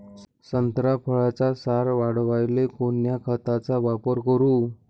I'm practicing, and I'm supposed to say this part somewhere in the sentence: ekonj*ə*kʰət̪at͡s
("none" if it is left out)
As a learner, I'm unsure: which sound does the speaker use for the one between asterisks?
a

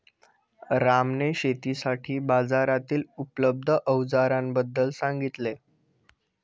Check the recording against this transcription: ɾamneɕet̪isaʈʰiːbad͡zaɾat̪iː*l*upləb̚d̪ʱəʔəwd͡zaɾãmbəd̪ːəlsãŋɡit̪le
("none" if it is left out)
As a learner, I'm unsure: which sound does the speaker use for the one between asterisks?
l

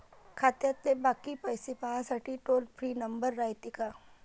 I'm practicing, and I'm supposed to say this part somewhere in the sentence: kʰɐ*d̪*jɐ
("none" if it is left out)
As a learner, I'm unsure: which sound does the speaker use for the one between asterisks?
t̪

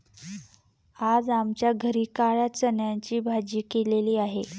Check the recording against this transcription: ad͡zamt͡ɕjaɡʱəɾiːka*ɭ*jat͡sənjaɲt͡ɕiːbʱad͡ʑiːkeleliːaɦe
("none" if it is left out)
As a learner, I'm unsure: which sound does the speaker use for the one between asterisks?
ɭ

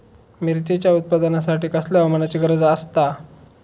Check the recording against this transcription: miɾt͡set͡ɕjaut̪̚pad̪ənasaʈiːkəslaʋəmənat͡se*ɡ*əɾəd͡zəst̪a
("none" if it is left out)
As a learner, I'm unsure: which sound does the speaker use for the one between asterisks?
ɡ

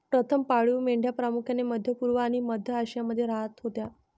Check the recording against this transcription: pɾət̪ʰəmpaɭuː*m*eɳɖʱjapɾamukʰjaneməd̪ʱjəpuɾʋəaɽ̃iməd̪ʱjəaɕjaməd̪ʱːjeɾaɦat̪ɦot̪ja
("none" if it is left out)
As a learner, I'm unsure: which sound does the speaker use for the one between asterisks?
m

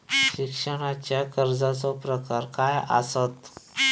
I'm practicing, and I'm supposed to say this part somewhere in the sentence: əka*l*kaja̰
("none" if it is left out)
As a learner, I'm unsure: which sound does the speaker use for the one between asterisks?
ɾ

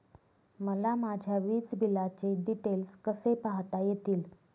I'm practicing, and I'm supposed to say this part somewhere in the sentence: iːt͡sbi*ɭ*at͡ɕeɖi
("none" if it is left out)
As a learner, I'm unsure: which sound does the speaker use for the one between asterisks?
l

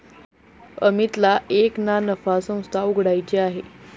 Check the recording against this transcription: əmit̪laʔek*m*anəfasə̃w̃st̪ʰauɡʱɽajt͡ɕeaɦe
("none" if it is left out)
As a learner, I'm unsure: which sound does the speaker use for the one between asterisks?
n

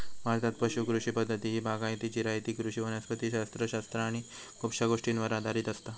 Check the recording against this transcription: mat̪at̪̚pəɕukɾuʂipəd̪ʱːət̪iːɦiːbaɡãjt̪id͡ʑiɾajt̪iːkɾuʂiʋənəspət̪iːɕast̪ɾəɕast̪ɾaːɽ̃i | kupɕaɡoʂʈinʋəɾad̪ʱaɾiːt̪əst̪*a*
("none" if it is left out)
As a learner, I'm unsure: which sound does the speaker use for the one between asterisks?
a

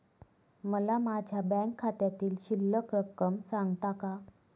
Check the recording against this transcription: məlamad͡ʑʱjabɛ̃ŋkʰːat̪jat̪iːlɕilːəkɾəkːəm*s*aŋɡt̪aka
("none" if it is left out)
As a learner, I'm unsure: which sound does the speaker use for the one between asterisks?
s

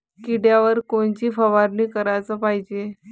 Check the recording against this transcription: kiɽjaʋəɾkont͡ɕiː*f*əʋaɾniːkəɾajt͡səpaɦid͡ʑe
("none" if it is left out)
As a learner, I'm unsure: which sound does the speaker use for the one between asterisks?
f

